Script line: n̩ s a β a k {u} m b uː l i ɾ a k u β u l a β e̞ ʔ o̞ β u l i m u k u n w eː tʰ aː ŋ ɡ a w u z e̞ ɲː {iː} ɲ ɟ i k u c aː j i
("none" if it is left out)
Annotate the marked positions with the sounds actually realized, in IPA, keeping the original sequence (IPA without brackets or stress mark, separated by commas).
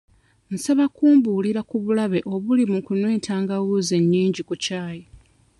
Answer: uː, iː